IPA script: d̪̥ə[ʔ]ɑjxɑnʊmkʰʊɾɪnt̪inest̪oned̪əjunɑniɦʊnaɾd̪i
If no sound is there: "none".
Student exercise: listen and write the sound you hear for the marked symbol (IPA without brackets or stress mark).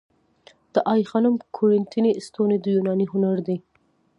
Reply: ʔ